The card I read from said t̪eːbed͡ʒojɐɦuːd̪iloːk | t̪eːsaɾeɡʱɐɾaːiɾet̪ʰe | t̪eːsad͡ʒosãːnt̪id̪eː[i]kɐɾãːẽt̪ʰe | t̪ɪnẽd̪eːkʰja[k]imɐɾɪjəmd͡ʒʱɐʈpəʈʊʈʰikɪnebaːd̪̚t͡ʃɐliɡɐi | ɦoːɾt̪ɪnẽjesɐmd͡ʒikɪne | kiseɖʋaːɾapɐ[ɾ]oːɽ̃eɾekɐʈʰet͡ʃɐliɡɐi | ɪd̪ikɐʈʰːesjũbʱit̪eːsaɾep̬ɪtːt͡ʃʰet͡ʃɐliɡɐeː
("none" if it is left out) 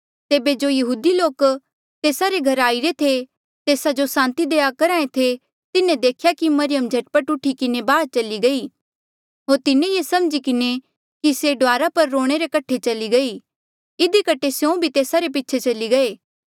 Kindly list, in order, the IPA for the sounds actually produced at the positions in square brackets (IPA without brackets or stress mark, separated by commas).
a, k, ɾː